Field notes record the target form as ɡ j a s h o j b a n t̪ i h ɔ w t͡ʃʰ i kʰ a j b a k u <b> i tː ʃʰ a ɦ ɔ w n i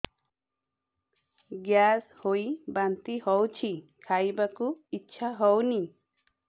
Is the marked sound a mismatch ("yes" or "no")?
yes